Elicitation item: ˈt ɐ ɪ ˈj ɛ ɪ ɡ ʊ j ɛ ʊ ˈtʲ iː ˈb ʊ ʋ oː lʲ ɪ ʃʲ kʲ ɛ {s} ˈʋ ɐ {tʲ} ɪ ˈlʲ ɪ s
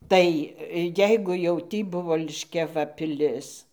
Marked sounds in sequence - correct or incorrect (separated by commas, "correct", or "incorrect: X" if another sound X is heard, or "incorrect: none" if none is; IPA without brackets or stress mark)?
incorrect: none, incorrect: pʲ